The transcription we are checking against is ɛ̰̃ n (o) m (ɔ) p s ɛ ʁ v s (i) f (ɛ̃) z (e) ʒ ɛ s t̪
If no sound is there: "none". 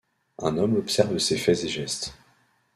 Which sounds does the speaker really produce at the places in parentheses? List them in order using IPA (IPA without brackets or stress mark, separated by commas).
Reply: ɔ, ɔ, e, ɛ, e